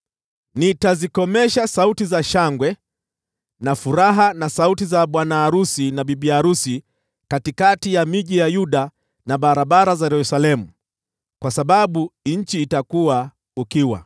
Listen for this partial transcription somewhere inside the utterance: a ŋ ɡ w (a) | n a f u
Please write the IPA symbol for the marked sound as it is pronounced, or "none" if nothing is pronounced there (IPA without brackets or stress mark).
ɛ